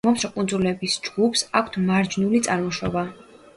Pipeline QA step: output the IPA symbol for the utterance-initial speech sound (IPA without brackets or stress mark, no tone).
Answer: ɔ